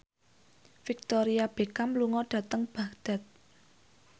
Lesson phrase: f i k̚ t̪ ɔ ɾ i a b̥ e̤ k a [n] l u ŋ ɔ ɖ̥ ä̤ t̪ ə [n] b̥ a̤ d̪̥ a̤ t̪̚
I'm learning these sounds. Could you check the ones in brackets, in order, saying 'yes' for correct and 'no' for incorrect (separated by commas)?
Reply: no, no